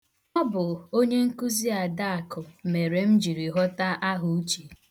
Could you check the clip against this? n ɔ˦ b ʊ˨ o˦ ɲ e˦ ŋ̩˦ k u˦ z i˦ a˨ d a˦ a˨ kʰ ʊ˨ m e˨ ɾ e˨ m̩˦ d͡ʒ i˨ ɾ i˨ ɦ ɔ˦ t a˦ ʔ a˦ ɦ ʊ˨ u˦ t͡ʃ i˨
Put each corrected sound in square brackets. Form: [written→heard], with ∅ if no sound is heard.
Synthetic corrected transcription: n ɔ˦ b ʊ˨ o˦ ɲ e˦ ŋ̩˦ k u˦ z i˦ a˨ d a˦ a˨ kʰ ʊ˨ m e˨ ɾ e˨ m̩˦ d͡ʒ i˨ ɾ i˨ ɦ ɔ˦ t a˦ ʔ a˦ ɦ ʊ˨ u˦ t͡ʃ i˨